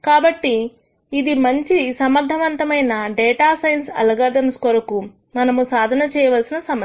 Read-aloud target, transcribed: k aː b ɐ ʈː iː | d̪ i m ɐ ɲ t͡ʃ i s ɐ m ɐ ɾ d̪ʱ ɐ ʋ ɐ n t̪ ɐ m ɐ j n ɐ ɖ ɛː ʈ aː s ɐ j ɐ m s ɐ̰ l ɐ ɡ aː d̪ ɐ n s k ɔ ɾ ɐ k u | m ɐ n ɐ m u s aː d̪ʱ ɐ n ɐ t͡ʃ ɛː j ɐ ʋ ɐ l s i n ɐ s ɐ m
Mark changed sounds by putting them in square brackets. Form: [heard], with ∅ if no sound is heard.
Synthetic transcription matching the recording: k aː b ɐ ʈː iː | d̪ i m ɐ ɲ t͡ʃ i s ɐ m ɐ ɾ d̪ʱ ɐ ʋ ɐ n t̪ ɐ m ɐ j n ɐ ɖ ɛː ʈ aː s ɐ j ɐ [n] s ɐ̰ l ɐ ɡ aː d̪ ɐ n s k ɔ ɾ ɐ k u | m ɐ n ɐ m u s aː d̪ʱ ɐ n ɐ t͡ʃ ɛː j ɐ ʋ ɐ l s i n ɐ s ɐ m